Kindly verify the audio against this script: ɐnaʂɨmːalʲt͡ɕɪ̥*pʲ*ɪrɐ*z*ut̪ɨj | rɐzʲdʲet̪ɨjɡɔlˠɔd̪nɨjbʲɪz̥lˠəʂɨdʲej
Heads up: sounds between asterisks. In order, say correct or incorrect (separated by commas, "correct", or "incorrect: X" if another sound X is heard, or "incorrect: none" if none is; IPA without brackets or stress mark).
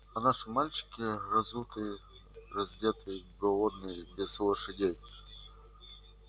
incorrect: kʲ, correct